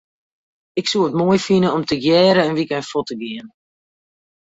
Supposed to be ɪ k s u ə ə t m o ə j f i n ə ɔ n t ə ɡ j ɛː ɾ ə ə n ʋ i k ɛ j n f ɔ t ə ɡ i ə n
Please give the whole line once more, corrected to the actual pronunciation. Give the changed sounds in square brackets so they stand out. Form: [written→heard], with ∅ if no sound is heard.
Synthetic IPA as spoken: ɪ k s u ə ə t m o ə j f i n ə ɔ [n→m] t ə ɡ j ɛː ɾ ə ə n ʋ i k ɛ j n f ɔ t ə ɡ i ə n